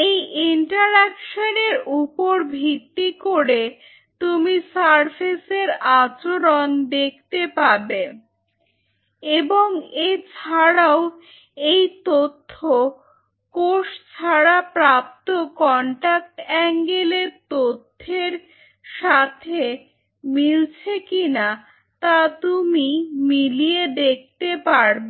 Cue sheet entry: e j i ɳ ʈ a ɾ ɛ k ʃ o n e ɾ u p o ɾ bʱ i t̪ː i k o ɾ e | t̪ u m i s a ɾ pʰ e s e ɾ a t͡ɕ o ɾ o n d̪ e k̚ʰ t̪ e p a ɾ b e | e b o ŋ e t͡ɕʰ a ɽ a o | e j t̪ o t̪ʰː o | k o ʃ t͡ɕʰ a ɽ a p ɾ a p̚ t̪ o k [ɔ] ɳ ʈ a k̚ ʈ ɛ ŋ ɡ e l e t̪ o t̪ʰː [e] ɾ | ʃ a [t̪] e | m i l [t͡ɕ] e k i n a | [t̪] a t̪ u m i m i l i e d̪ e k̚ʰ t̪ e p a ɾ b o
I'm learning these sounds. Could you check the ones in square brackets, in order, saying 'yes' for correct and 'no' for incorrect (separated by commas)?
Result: yes, yes, no, no, yes